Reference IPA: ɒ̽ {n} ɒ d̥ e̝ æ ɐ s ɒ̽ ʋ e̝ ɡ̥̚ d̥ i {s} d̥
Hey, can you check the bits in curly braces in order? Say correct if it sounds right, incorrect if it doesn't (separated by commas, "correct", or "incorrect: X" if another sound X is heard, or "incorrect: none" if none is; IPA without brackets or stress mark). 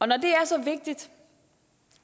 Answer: correct, incorrect: none